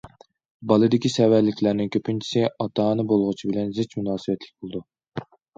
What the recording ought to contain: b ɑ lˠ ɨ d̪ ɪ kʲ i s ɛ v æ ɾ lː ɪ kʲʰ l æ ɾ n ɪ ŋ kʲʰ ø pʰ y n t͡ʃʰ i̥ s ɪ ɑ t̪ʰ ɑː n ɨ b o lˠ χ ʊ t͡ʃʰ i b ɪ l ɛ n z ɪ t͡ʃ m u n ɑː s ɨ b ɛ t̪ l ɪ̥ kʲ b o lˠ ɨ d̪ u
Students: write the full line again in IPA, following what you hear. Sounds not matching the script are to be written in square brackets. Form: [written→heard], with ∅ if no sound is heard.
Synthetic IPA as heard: b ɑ lˠ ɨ d̪ ɪ kʲ i s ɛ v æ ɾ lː ɪ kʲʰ l æ ɾ n ɪ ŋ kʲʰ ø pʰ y n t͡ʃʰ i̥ s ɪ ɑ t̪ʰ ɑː n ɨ b o lˠ [χ→ʁ] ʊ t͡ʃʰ i b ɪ l ɛ n z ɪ t͡ʃ m u n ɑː s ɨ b ɛ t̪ l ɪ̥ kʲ b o lˠ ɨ d̪ u